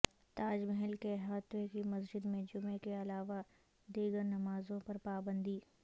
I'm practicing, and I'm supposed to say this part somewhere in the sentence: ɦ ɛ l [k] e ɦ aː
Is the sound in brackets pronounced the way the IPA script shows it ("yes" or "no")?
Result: yes